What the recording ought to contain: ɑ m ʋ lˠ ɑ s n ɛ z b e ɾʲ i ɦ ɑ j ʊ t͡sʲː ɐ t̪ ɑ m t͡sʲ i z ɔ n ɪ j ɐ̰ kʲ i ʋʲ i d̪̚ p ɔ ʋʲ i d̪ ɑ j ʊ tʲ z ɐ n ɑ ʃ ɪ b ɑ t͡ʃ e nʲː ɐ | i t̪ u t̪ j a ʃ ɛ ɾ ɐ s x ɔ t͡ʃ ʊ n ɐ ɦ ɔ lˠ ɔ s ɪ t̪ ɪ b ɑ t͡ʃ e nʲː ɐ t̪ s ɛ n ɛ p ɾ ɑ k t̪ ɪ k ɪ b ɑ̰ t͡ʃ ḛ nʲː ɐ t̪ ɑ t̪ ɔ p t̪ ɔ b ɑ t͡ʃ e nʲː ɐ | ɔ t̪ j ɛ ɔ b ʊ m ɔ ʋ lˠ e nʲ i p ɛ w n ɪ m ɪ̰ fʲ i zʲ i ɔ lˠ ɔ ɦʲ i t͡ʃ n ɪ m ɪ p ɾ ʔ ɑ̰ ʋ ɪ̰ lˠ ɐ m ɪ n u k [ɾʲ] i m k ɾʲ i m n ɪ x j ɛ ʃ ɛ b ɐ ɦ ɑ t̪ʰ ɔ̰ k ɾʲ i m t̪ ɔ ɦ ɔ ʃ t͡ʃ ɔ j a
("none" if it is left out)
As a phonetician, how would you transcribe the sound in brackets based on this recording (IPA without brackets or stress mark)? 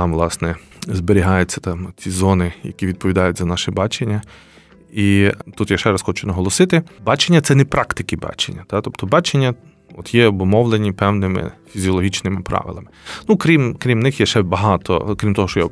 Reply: ɾʲ